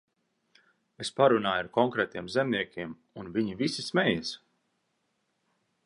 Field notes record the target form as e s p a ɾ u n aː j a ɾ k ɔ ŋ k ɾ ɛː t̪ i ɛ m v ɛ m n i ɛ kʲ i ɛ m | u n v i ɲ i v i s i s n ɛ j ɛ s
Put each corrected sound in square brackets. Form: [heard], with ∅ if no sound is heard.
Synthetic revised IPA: e s p a ɾ u n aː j a ɾ k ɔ ŋ k ɾ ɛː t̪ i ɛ m [z] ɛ m n i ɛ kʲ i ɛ m | u n v i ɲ i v i s i s [m] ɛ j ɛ s